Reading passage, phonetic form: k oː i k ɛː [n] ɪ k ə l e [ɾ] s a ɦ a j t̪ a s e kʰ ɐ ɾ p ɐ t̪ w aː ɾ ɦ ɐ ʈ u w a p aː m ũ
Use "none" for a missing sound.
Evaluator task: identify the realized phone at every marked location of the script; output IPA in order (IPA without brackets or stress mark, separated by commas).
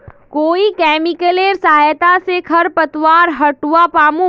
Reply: m, ɾ